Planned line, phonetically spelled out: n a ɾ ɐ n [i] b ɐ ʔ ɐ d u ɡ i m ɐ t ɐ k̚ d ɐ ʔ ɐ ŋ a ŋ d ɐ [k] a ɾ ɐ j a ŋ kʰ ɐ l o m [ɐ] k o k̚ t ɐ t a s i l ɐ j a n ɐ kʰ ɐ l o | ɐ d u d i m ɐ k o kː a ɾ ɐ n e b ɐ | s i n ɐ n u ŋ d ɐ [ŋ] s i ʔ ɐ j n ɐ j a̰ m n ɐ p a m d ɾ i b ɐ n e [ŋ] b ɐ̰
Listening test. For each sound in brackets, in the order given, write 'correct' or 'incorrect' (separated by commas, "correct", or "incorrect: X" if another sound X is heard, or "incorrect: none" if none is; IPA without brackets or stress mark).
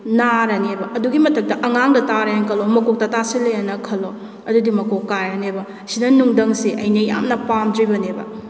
incorrect: e, incorrect: t, correct, correct, incorrect: none